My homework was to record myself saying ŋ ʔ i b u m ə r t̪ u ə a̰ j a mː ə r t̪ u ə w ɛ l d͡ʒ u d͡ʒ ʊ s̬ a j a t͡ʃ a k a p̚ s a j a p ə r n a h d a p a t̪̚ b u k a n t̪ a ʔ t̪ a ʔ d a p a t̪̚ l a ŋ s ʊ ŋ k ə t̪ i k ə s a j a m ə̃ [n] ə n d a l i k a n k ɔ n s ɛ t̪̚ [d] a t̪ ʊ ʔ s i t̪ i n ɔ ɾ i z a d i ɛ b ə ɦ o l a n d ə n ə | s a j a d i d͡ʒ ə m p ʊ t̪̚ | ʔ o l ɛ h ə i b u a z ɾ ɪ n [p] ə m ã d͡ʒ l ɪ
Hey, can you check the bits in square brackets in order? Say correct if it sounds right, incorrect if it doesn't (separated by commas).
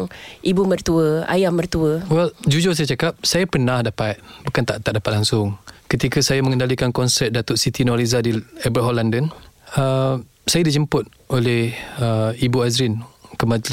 incorrect, correct, incorrect